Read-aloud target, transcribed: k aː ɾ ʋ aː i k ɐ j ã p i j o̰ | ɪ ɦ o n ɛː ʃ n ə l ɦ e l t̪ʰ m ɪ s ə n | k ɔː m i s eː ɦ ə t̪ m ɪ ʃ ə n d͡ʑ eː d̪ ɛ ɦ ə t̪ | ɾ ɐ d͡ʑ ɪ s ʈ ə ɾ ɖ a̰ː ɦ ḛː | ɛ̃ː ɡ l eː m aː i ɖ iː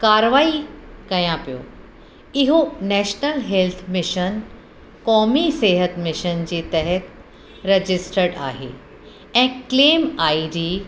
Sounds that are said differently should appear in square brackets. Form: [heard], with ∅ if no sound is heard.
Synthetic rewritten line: k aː ɾ ʋ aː i k ɐ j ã p i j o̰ | ɪ ɦ o n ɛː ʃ n ə l ɦ e l t̪ʰ m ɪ [ʃ] ə n | k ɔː m i s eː ɦ ə t̪ m ɪ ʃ ə n d͡ʑ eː [t̪] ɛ ɦ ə t̪ | ɾ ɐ d͡ʑ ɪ s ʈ ə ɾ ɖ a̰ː ɦ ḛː | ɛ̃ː [k] l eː m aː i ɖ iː

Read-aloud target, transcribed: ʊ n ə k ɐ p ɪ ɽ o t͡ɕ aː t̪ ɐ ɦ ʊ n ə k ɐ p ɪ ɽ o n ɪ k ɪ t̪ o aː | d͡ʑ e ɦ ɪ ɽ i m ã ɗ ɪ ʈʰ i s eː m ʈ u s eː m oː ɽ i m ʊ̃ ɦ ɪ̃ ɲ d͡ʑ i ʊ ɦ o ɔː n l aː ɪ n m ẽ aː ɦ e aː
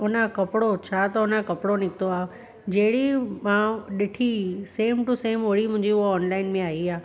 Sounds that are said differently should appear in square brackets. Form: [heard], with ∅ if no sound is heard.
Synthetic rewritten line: ʊ n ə k ɐ p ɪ ɽ o [t͡ɕʰ] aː t̪ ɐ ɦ ʊ n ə k ɐ p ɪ ɽ o n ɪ k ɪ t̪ o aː | d͡ʑ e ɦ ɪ ɽ i m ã ɗ ɪ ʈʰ i s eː m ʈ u s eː m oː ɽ i m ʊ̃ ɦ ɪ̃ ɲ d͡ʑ i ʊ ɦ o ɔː n l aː ɪ n m ẽ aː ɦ [i] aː

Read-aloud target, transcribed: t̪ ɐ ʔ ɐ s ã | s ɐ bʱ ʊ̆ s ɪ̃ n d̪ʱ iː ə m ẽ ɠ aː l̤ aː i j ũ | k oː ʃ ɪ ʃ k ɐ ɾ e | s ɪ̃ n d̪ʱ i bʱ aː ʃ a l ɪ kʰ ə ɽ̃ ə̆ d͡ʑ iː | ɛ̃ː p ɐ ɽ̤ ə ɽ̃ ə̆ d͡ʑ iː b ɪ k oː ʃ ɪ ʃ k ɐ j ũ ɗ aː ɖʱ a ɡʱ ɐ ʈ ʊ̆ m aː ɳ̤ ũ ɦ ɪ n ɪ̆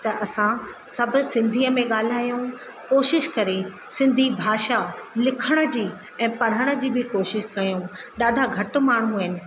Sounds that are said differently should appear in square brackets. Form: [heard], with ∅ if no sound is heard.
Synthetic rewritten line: t̪ ɐ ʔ ɐ s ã | s ɐ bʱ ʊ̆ s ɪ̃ n d̪ʱ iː ə m ẽ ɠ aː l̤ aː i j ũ | k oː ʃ ɪ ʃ k ɐ ɾ e | s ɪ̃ n d̪ʱ i bʱ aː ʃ a l ɪ kʰ ə ɽ̃ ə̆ d͡ʑ iː | ɛ̃ː p ɐ ɽ̤ ə ɽ̃ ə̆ d͡ʑ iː b ɪ k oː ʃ ɪ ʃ k ɐ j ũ ɗ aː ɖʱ a ɡʱ ɐ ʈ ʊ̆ m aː ɳ̤ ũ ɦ ɪ n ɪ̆

